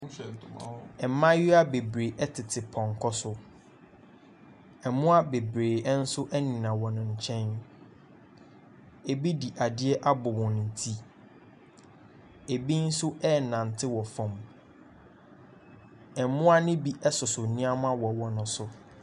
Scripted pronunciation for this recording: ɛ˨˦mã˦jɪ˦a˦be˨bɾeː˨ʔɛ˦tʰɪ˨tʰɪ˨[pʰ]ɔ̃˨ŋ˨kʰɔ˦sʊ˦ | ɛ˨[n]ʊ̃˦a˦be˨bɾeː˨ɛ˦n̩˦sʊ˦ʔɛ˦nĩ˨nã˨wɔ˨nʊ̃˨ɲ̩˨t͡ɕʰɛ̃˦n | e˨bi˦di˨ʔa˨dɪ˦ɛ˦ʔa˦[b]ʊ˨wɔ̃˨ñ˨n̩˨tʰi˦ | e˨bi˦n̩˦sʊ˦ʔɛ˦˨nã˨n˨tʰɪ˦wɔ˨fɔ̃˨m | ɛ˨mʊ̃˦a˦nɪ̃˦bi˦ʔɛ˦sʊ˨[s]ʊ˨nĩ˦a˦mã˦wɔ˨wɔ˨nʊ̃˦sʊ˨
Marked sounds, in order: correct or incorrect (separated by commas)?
correct, incorrect, correct, correct